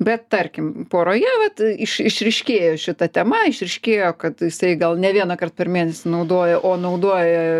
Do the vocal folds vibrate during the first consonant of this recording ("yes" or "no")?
yes